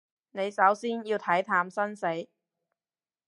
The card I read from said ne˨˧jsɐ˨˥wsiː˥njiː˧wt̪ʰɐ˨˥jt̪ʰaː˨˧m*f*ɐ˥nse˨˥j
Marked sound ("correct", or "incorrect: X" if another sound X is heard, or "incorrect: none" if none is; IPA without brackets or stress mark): incorrect: s